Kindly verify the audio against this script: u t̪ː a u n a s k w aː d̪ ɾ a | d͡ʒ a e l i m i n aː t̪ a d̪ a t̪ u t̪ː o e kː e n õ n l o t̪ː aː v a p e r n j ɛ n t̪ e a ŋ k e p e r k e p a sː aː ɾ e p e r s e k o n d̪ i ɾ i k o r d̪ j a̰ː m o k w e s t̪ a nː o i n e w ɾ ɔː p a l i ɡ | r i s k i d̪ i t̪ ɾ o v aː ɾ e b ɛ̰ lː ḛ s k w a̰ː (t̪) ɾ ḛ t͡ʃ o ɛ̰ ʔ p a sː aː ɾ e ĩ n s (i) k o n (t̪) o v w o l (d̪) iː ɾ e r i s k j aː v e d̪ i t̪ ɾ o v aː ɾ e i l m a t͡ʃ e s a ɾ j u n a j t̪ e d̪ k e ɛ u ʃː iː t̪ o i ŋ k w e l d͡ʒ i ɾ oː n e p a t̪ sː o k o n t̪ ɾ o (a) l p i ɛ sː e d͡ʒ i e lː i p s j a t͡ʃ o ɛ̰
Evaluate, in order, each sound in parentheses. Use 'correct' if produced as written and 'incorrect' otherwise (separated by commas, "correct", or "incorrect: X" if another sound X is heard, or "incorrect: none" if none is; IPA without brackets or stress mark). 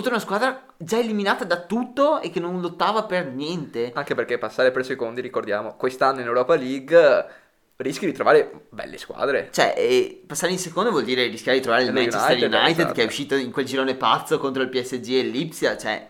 incorrect: d̪, incorrect: e, incorrect: d̪, correct, incorrect: i